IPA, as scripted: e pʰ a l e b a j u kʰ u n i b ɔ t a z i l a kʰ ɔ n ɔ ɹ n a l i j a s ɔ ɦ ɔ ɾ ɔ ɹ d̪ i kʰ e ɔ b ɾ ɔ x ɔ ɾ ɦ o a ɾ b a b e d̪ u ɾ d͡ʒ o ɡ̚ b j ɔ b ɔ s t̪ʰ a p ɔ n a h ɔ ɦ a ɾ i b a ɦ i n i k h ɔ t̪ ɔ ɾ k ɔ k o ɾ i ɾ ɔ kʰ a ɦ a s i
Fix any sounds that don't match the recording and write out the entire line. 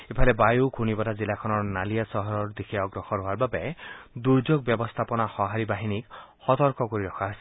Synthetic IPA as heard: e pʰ a l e b a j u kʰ u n i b ɔ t a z i l a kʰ ɔ n ɔ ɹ n a l i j a s ɔ ɦ ɔ ɾ ɔ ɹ d̪ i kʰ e ɔ ɡ ɾ ɔ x ɔ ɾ ɦ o a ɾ b a b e d̪ u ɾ d͡ʒ o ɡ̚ b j ɔ b ɔ s t̪ʰ a p ɔ n a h ɔ ɦ a ɾ i b a ɦ i n i k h ɔ t̪ ɔ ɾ k ɔ k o ɾ i ɾ ɔ kʰ a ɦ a s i